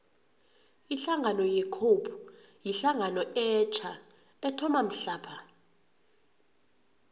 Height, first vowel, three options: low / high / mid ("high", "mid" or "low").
high